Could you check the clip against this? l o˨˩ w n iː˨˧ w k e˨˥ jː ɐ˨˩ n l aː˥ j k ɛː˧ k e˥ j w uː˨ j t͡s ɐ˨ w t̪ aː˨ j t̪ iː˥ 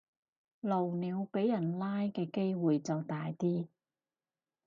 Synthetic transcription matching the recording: l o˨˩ w n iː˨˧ w p e˨˥ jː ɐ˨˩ n l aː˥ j k ɛː˧ k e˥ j w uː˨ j t͡s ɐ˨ w t̪ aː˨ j t̪ iː˥

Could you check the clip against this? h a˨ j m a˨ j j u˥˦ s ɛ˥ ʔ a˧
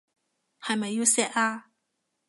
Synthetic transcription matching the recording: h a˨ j m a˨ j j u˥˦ s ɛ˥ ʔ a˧

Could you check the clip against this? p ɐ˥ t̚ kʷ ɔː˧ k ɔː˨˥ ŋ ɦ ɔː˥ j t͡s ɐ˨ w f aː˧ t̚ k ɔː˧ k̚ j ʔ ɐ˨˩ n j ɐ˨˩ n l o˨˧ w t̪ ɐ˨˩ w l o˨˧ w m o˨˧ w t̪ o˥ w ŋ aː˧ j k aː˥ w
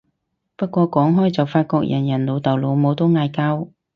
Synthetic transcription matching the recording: p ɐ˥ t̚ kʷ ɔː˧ k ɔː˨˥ ŋ ɦ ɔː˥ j t͡s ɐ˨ w f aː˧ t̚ k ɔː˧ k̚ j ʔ ɐ˨˩ n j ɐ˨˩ n l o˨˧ w t̪ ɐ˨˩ w l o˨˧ w m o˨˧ w t̪ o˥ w ŋ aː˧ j k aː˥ w

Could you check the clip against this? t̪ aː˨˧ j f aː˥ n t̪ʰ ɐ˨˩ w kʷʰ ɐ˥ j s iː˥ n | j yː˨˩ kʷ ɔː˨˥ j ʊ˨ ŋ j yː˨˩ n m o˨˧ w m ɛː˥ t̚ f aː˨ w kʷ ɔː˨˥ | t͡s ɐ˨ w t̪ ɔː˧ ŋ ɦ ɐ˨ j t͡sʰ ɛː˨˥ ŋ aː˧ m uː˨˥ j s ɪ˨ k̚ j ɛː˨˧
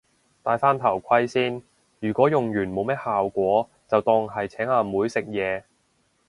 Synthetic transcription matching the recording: t̪ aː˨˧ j f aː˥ n t̪ʰ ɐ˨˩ w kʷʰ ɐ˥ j s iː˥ n | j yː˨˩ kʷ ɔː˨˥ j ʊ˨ ŋ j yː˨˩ n m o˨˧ w m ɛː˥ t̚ h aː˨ w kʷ ɔː˨˥ | t͡s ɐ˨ w t̪ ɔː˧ ŋ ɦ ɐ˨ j t͡sʰ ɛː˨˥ ŋ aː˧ m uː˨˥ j s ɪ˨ k̚ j ɛː˨˧

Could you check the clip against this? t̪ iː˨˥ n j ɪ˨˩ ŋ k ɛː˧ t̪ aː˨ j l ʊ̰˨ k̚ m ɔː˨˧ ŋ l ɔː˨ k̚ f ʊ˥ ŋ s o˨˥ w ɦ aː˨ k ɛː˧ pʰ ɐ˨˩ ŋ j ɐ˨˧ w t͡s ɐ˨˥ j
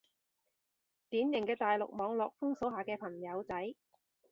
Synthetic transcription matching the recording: t̪ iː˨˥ n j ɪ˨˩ ŋ k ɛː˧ t̪ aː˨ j l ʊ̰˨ k̚ m ɔː˨˧ ŋ l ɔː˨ k̚ f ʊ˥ ŋ s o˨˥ w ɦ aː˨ k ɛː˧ pʰ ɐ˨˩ ŋ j ɐ˨˧ w t͡s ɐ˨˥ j

